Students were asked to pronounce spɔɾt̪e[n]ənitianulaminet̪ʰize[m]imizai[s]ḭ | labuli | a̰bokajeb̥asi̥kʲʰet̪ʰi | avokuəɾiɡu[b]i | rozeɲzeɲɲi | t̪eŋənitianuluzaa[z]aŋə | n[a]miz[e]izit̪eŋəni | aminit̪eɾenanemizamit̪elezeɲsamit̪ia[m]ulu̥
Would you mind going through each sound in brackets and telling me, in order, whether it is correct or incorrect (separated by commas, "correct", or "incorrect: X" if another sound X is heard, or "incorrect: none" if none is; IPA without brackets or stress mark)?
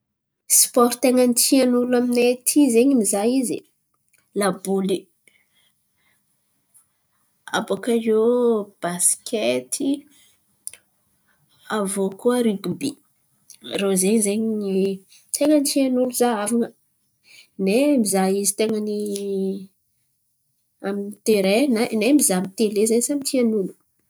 incorrect: ŋ, incorrect: ɲ, incorrect: z, correct, incorrect: v, incorrect: e, incorrect: a, incorrect: n